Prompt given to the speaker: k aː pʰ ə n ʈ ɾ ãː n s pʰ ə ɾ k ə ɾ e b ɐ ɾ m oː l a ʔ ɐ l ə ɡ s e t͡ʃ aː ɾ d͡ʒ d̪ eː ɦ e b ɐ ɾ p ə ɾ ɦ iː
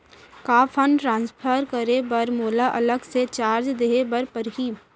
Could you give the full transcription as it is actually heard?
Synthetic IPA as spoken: k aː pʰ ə n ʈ ɾ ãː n s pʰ ə ɾ k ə ɾ e b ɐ ɾ m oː l a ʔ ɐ l ə ɡ s e t͡ʃ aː ɾ d͡ʒ d̪ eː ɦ e b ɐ ɾ p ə ɾ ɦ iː